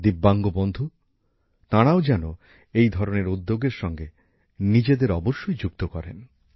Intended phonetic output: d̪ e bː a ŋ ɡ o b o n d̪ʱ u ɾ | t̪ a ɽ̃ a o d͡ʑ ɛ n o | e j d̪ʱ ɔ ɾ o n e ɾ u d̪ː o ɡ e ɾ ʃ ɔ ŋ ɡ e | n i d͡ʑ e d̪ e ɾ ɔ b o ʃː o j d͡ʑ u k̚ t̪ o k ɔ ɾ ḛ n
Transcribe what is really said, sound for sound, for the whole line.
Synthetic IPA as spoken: d̪ i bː a ŋ ɡ o b o n d̪ʱ u | t̪ a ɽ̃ a o d͡ʑ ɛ n o | e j d̪ʱ ɔ ɾ o n e ɾ u d̪ː o ɡ e ɾ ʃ ɔ ŋ ɡ e | n i d͡ʑ e d̪ e ɾ ɔ b o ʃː o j d͡ʑ u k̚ t̪ o k ɔ ɾ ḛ n